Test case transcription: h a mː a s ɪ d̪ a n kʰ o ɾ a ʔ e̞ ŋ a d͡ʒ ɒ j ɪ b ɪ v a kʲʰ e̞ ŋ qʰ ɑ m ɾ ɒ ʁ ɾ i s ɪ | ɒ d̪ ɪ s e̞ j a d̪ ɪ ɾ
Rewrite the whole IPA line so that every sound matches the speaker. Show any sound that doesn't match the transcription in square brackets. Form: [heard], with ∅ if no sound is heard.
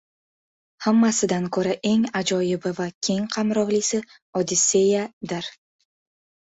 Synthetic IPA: h a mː a s ɪ d̪ a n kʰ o ɾ a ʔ e̞ ŋ a d͡ʒ ɒ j ɪ b ɪ v a kʲʰ e̞ ŋ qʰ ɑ m ɾ ɒ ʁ [l] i s ɪ | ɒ d̪ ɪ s e̞ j a d̪ ɪ ɾ